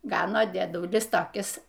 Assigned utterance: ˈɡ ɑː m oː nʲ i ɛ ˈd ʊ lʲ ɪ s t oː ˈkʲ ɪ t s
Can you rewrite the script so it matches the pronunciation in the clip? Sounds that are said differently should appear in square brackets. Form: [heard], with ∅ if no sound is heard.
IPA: ˈɡ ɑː [n] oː [dʲ] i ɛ ˈd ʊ lʲ ɪ s t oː ˈkʲ ɪ [∅] s